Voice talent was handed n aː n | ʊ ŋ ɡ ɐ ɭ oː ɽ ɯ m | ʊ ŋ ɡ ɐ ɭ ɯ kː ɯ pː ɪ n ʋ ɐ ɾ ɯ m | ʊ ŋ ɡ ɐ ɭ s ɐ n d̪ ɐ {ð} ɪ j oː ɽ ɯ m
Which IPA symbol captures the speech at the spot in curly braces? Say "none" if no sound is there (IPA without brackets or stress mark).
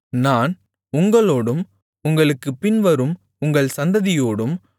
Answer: ð